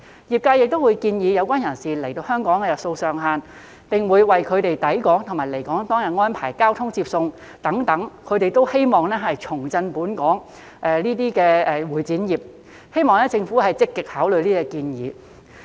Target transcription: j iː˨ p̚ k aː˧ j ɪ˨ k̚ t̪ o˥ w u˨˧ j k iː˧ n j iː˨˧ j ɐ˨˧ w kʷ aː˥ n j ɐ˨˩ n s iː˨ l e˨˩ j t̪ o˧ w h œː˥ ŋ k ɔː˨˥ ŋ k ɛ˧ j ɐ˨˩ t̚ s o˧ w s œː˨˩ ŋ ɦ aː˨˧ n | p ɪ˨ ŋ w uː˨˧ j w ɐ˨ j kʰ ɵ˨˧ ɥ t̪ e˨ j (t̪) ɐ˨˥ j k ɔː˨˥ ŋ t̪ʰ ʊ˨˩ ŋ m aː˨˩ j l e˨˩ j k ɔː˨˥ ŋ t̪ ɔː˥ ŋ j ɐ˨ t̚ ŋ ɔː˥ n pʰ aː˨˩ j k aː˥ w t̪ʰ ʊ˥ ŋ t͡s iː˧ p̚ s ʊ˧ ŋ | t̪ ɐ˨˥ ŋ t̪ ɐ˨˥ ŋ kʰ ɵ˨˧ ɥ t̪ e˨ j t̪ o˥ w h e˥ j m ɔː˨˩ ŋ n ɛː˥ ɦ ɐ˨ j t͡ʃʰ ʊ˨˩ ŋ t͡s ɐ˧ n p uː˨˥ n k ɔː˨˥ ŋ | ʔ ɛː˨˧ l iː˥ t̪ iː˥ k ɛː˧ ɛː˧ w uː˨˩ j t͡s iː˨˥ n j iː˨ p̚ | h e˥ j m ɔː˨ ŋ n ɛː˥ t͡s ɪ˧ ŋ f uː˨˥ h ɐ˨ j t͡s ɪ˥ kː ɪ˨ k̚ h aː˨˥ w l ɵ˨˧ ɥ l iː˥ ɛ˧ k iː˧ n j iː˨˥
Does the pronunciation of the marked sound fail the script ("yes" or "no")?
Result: no